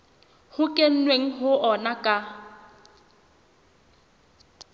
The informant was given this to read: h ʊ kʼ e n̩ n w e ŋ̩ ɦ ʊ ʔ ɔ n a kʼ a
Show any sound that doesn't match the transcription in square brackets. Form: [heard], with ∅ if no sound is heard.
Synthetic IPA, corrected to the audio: h ʊ kʼ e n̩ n w e ŋ̩ ɦ ʊ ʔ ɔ n a kʼ a